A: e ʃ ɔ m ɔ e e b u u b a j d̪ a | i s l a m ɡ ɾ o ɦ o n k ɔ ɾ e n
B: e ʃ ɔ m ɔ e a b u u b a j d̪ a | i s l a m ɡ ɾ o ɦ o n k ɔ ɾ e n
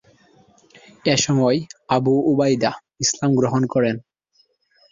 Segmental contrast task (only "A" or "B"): B